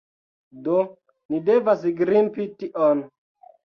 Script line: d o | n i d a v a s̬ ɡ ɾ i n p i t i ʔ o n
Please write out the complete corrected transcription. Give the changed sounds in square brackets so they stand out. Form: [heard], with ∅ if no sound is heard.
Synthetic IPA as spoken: d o | n i d [e] v a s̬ ɡ ɾ i [m] p i t i ʔ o n